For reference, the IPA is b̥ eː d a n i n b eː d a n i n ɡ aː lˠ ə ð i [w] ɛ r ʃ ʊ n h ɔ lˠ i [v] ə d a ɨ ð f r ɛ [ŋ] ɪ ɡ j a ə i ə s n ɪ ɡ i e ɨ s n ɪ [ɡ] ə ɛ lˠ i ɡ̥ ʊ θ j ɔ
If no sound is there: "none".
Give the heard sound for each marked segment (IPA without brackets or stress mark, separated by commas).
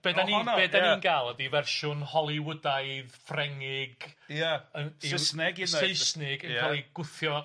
v, w, ŋ, ɡ